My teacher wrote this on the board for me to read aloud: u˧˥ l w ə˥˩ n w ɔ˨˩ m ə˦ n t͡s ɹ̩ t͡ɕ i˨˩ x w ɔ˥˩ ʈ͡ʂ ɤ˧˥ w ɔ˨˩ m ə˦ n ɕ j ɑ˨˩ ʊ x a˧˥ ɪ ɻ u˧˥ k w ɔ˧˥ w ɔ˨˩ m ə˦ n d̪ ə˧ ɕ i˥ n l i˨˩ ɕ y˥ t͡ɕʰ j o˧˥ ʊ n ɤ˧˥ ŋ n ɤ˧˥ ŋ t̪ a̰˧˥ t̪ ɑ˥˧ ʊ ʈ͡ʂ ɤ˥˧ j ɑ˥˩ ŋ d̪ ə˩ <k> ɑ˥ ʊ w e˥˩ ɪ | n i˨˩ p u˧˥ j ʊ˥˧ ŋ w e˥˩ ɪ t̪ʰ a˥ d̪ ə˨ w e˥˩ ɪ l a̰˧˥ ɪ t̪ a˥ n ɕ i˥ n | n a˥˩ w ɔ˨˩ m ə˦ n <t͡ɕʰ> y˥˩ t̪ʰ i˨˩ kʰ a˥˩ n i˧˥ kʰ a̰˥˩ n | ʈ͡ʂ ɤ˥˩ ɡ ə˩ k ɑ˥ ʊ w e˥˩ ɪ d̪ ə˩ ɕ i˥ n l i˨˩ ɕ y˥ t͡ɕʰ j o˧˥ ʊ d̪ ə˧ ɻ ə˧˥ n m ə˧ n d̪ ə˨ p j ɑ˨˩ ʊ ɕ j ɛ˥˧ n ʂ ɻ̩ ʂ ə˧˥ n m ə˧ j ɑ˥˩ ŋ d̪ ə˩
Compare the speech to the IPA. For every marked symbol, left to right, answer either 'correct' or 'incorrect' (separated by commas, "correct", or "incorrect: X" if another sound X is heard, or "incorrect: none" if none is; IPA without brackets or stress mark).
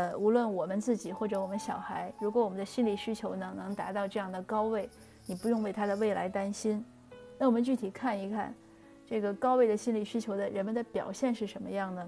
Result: correct, incorrect: t͡ɕ